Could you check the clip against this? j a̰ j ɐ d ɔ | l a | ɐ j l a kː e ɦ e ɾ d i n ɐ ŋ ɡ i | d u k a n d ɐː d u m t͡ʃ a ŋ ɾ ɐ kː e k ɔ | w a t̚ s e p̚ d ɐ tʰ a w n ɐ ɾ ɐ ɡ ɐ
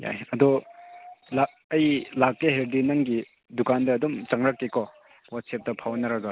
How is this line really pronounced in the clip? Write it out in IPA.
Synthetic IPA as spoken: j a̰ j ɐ d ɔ | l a | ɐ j l a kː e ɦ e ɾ d i n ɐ ŋ ɡ i | d u k a n d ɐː d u m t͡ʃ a ŋ ɾ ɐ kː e k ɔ | w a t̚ s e p̚ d ɐ pʰ a w n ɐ ɾ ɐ ɡ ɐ

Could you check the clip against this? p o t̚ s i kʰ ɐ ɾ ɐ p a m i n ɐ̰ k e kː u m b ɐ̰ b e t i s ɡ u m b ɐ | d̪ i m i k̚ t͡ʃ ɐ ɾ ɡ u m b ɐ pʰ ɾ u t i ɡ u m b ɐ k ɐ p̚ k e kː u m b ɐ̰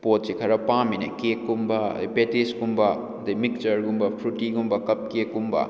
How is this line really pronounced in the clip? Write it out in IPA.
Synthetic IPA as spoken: p o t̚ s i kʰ ɐ ɾ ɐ p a m i n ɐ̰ k e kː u m b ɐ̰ b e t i s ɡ u m b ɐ | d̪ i m i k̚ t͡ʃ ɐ ɾ ɡ u m b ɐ pʰ ɾ u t i ɡ u m b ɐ k ɐ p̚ k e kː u m b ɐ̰

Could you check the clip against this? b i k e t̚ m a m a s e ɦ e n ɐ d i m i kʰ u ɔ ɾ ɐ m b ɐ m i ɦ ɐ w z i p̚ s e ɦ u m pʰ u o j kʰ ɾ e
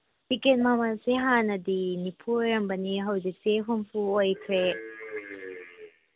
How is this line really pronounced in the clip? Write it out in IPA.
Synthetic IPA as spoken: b i k e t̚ m a m a s e ɦ a n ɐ d i n i pʰ u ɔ ɾ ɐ m b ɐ n i ɦ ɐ w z i k̚ s e ɦ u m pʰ u o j kʰ ɾ e

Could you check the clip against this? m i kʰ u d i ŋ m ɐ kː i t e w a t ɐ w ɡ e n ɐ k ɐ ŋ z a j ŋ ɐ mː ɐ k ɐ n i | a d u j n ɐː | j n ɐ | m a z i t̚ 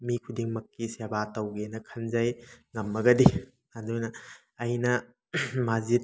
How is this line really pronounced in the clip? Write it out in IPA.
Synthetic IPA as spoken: m i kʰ u d i ŋ m ɐ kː i s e b a t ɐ w ɡ e n ɐ kʰ ɐ n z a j ŋ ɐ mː ɐ ɡ ɐ d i | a d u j n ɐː | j n ɐ | m a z i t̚

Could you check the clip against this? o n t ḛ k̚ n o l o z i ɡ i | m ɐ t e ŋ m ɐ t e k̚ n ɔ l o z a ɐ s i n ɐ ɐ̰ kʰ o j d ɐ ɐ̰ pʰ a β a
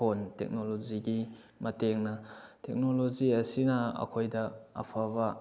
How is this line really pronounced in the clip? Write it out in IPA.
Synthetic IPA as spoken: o n t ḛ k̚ n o l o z i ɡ i | m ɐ t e ŋ n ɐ t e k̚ n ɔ l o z i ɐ s i n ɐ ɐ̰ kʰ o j d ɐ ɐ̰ pʰ a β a

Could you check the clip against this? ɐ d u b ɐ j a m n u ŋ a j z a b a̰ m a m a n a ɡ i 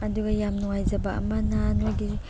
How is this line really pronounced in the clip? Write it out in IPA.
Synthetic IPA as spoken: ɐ d u ɡ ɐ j a m n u ŋ a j z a b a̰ m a n a n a ɡ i

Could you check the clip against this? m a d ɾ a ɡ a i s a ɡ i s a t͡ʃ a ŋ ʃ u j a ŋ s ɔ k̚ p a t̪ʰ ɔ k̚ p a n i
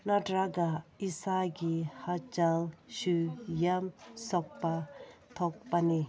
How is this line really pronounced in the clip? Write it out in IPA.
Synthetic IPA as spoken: n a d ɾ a ɡ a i s a ɡ i h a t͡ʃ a ŋ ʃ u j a m s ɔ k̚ p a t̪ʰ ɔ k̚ p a n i

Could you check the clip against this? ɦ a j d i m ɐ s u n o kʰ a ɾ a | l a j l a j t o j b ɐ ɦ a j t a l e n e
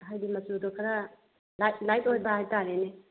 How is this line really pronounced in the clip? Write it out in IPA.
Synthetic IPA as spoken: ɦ a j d i m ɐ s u d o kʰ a ɾ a | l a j l a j t o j b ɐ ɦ a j t a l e n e

